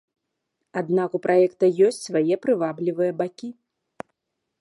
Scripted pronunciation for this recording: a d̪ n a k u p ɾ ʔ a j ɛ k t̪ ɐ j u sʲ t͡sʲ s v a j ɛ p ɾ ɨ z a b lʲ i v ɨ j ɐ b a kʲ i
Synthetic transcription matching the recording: a d̪ n a k u p ɾ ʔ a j ɛ k t̪ ɐ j ɔ sʲ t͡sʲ s v a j ɛ p ɾ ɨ v a b lʲ i v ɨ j ɐ b a kʲ i